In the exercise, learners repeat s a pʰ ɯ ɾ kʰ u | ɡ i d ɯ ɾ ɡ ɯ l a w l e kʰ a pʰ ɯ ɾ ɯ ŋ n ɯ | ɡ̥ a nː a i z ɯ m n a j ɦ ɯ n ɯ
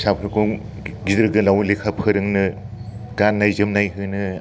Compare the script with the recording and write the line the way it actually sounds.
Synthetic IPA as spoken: s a pʰ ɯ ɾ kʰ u | ɡ i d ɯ ɾ ɡ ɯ l a w l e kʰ a pʰ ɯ ɾ ɯ ŋ n ɯ | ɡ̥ a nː a j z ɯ m n a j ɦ ɯ n ɯ

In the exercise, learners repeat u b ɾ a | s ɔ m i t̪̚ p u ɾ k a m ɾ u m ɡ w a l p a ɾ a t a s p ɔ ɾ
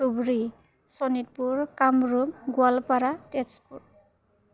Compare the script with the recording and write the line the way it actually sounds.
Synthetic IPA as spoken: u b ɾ i | s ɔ n i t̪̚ p u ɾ k a m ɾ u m ɡ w a l p a ɾ a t e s p u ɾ

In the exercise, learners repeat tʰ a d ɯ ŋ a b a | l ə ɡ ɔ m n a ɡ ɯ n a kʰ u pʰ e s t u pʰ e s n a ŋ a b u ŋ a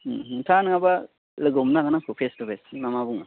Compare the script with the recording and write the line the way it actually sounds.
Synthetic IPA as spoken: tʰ a n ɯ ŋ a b a | l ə ɡ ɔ m n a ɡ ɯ n a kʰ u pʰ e s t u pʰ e s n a m a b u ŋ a

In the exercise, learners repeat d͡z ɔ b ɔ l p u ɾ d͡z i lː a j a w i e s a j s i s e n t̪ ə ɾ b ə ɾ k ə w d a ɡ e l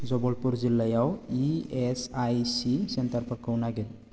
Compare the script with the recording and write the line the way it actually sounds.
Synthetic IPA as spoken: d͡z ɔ b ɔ l p u ɾ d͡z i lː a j a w i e s a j s i s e n t̪ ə ɾ p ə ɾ k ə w n a ɡ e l

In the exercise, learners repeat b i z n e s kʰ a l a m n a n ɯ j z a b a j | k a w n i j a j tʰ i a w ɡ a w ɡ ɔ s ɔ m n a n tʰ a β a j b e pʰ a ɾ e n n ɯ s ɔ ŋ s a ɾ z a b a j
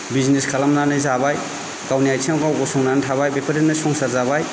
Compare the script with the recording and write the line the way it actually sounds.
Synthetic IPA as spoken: b i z n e s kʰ a l a m n a n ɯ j z a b a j | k a w n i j a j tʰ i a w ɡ a w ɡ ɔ s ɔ ŋ n a n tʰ a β a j b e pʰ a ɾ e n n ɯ s ɔ ŋ s a ɾ z a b a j

